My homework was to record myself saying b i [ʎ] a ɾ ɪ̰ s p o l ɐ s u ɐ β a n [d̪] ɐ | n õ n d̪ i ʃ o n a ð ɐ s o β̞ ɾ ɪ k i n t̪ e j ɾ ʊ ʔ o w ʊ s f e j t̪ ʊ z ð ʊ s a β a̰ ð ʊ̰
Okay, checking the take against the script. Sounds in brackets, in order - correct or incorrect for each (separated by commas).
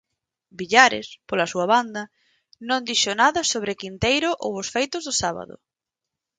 correct, correct